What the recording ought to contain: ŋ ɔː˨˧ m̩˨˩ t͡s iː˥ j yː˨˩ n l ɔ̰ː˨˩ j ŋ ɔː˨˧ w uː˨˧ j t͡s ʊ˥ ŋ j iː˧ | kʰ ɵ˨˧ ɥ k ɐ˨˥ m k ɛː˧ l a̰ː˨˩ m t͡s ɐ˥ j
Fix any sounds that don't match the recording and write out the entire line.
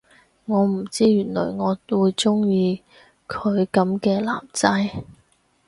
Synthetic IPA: ŋ ɔː˨˧ m̩˨˩ t͡s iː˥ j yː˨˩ n l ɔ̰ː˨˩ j ŋ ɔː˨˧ w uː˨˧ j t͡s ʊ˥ ŋ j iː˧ | kʰ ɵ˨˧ ɥ k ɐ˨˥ m k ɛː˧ l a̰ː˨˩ m t͡s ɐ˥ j